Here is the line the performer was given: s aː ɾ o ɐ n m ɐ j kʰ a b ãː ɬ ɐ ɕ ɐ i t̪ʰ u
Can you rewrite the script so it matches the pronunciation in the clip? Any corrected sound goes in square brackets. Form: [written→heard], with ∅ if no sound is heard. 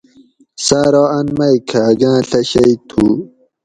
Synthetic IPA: s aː ɾ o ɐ n m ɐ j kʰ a [b→ɡ] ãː ɬ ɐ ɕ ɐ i t̪ʰ u